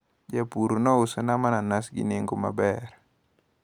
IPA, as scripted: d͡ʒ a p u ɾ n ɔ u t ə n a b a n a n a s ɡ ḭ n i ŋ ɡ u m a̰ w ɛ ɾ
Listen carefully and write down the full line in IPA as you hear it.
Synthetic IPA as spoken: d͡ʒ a p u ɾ n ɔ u s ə n a m a n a n a s ɡ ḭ n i ŋ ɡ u m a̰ b ɛ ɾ

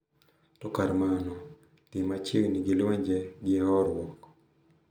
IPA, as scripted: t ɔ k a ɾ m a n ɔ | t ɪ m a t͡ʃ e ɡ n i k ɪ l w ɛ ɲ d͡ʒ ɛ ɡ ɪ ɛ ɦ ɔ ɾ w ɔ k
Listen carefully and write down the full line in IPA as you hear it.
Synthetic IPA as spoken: t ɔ k a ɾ m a n ɔ | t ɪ m a t͡ʃ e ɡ n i ɡ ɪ l w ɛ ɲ d͡ʒ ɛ ɡ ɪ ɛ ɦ ɔ ɾ w ɔ k

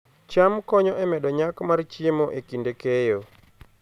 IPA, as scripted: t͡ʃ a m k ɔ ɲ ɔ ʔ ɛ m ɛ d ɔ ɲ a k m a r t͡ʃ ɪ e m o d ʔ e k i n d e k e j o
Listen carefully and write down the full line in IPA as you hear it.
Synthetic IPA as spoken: t͡ʃ a m k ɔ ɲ ɔ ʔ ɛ m ɛ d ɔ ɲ a k m a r t͡ʃ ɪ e m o ʔ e k i n d e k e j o

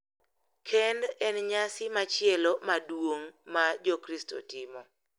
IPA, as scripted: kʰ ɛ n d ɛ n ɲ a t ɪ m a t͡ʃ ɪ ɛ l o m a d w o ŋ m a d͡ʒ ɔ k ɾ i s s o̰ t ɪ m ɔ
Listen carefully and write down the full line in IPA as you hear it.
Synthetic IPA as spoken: kʰ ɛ n d ɛ n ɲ a s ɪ m a t͡ʃ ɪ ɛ l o m a d w o ŋ m a d͡ʒ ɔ k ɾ i s t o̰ t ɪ m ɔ

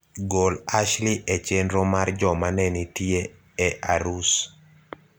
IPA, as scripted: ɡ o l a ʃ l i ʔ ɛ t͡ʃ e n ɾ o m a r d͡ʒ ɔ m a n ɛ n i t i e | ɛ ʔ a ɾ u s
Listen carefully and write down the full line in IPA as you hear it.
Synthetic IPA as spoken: ɡ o l a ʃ l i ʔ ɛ t͡ʃ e n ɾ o m a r d͡ʒ ɔ m a n ɛ n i t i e | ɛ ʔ a ɾ u s

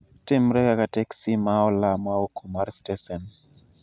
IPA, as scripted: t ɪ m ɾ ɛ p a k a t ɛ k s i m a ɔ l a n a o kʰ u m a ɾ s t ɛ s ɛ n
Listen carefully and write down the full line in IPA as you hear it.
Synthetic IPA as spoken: t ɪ m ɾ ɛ k a k a t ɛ k s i m a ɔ l a m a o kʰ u m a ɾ s t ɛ s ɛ n

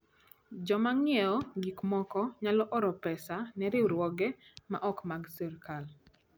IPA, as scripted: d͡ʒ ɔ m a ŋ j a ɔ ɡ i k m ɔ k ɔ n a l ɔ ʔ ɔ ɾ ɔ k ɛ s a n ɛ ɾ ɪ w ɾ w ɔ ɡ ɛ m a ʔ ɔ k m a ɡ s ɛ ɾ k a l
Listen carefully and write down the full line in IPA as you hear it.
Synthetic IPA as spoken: d͡ʒ ɔ m a ŋ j ɛ ɔ ɡ i k m ɔ k ɔ ɲ a l ɔ ʔ ɔ ɾ ɔ p ɛ s a n ɛ ɾ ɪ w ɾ w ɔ ɡ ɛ m a ʔ ɔ k m a ɡ s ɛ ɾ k a l

